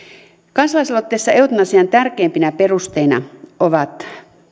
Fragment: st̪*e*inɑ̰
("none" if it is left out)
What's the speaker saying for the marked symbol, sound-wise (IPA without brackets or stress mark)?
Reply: e